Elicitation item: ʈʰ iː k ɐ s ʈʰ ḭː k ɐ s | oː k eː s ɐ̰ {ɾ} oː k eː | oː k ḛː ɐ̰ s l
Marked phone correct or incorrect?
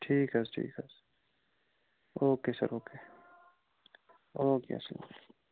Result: correct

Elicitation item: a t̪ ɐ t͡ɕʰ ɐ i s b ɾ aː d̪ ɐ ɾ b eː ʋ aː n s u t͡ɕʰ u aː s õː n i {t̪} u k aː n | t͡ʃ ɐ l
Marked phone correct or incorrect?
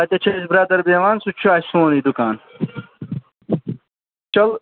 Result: incorrect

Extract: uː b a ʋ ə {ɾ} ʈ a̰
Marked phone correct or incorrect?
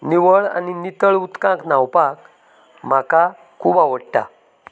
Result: incorrect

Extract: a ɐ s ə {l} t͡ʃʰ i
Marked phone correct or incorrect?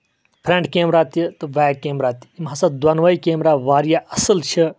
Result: correct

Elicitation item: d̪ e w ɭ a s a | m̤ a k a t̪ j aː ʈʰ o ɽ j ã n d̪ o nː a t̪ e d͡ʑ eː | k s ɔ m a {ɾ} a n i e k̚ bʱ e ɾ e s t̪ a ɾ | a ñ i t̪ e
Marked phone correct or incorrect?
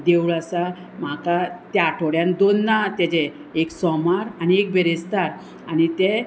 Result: correct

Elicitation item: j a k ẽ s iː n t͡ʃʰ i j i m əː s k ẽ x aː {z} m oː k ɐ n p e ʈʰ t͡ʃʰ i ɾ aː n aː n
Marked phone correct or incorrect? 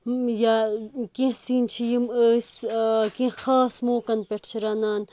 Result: incorrect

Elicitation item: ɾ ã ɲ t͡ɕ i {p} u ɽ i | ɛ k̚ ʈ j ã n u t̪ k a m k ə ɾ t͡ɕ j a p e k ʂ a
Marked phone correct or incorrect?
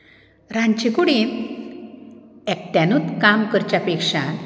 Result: incorrect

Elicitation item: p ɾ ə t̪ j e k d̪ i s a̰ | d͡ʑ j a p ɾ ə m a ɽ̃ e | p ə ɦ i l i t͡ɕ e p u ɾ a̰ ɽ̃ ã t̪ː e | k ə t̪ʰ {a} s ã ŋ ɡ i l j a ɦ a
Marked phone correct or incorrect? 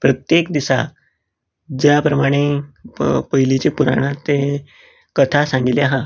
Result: correct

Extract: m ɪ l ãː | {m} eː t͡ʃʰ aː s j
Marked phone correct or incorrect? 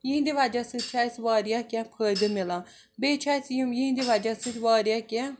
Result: incorrect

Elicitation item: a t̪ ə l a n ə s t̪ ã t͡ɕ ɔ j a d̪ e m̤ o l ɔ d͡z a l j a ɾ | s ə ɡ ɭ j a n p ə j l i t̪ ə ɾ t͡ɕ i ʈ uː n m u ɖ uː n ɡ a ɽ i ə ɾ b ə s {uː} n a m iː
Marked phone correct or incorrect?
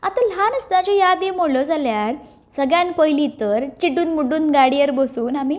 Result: correct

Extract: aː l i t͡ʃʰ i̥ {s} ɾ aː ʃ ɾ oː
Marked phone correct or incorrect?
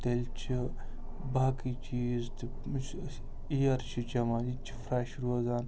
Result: incorrect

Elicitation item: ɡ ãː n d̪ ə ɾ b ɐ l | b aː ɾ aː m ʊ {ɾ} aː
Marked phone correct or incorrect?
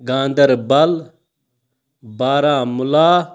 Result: incorrect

